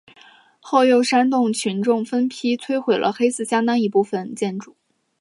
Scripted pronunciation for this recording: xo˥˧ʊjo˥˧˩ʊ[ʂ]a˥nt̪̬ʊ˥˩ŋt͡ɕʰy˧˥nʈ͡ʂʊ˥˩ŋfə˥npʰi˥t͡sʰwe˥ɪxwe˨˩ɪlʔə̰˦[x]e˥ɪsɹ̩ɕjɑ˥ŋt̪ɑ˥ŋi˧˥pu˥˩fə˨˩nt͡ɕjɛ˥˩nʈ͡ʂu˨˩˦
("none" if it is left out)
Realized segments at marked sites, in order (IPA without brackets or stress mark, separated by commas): ʂ, x